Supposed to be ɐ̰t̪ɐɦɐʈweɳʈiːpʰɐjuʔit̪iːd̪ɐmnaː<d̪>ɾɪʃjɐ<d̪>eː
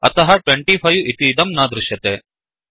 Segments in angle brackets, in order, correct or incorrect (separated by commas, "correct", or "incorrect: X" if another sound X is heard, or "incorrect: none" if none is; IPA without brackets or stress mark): correct, incorrect: t̪